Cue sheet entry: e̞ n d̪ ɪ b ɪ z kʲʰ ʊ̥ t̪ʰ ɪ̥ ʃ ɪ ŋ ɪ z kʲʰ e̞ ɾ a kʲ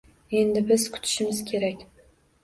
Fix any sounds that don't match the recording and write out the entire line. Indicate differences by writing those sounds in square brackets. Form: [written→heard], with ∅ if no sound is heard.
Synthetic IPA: e̞ n d̪ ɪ b ɪ z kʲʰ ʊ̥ t̪ʰ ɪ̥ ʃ ɪ [ŋ→m] ɪ z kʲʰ e̞ ɾ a kʲ